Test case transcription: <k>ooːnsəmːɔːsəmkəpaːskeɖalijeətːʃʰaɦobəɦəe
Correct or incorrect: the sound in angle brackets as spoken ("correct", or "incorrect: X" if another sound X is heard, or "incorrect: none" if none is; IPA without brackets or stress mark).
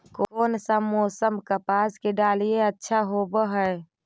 correct